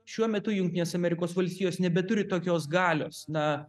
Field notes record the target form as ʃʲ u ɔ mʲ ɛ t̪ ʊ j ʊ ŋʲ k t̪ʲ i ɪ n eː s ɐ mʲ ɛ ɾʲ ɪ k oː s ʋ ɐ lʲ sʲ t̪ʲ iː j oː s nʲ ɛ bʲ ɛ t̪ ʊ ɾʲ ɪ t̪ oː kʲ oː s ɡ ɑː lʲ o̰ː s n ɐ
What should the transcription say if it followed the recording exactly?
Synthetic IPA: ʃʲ u ɔ mʲ ɛ t̪ ʊ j ʊ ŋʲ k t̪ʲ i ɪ n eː s ɐ mʲ ɛ ɾʲ ɪ k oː s ʋ ɐ lʲ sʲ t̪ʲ iː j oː s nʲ ɛ bʲ ɛ t̪ ʊ ɾʲ ɪ t̪ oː kʲ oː s ɡ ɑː lʲ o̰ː s n ɐ